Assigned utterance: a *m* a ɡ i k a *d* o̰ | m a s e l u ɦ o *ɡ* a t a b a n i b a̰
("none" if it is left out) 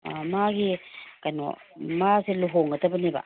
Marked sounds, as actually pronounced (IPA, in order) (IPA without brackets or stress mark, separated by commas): m, n, ŋ